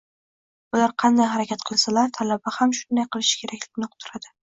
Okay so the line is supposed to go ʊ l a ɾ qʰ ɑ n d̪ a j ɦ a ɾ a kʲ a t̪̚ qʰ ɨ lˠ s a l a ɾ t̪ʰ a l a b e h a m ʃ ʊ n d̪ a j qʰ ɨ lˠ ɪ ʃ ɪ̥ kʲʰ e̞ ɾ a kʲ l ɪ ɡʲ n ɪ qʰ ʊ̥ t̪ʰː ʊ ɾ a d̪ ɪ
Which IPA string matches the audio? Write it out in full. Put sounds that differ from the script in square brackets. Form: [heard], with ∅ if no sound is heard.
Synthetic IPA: ʊ l a ɾ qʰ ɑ n d̪ a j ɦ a ɾ a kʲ a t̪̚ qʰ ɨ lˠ s a l a ɾ t̪ʰ a l a b [a] h a m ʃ ʊ n d̪ a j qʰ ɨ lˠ ɪ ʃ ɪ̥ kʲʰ e̞ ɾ a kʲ l ɪ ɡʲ n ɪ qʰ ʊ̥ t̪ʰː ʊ ɾ a d̪ ɪ